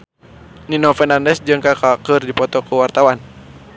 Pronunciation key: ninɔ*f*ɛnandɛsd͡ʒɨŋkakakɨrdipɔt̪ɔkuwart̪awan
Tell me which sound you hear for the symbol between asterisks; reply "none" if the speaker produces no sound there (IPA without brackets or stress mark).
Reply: f